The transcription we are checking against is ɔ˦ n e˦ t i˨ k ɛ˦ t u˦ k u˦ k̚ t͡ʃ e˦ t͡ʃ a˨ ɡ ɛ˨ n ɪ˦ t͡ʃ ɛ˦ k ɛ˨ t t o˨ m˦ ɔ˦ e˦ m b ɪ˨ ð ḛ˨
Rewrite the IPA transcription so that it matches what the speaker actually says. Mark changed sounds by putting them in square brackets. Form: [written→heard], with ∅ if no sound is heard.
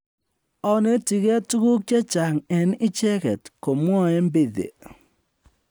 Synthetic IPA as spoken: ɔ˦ n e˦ t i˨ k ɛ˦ t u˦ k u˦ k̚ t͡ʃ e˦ t͡ʃ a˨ [ɡ→ŋ] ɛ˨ n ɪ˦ t͡ʃ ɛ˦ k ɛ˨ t [t→k] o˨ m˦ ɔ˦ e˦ m b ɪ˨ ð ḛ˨